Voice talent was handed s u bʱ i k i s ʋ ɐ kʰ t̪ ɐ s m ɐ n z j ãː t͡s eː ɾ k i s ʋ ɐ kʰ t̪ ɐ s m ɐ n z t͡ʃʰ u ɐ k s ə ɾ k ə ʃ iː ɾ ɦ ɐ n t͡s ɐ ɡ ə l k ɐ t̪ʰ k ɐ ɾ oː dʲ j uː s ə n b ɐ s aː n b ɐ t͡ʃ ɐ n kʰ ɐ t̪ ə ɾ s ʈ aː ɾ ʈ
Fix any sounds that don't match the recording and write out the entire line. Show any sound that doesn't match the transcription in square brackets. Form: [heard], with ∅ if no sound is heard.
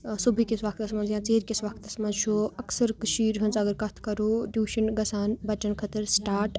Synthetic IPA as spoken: s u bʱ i k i s ʋ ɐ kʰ t̪ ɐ s m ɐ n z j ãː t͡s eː ɾ k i s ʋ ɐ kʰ t̪ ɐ s m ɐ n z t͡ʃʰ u ɐ k s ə ɾ k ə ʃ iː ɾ ɦ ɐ n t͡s ɐ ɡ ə [ɾ] k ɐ t̪ʰ k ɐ ɾ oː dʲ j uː [ʃ] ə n [ɡ] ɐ s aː n b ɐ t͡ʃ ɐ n kʰ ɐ t̪ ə ɾ s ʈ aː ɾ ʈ